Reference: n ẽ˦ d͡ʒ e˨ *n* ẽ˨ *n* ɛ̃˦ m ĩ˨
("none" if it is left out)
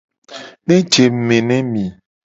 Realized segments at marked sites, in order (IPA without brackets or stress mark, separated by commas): m, n